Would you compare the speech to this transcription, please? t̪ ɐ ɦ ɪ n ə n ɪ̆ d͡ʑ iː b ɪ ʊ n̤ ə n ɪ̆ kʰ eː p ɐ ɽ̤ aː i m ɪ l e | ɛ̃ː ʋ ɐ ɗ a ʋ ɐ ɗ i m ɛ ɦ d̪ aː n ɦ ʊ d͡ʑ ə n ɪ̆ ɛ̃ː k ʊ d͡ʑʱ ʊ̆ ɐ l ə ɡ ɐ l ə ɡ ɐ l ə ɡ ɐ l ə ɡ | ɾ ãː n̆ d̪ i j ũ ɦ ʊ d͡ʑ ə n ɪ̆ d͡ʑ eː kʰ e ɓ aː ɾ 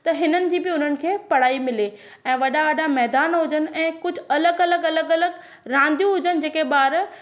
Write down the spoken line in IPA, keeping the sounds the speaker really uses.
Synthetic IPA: t̪ ɐ ɦ ɪ n ə n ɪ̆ d͡ʑ iː b ɪ ʊ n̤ ə n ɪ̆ kʰ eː p ɐ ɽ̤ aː i m ɪ l e | ɛ̃ː ʋ ɐ ɗ a ʋ ɐ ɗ a m ɛ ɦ d̪ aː n ɦ ʊ d͡ʑ ə n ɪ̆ ɛ̃ː k ʊ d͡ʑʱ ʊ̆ ɐ l ə ɡ ɐ l ə ɡ ɐ l ə ɡ ɐ l ə ɡ | ɾ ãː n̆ d̪ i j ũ ɦ ʊ d͡ʑ ə n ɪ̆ d͡ʑ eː k e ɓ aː ɾ